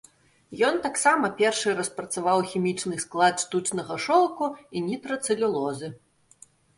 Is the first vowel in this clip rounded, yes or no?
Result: yes